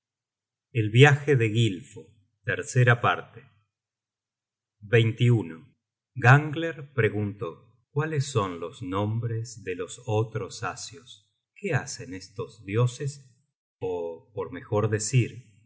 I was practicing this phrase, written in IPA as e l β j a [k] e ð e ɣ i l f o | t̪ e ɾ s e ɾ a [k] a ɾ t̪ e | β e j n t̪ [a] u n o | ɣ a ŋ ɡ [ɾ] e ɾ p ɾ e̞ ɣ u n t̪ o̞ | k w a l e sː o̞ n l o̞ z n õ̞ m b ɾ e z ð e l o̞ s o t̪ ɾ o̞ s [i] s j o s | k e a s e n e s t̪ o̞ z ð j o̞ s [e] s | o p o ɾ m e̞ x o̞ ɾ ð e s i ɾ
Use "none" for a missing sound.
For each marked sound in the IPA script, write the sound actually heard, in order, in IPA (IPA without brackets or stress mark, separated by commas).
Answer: x, p, i, l, a, e